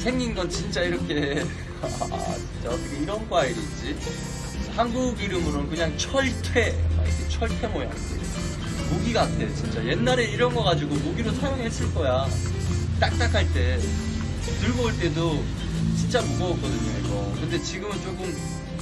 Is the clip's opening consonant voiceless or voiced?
voiceless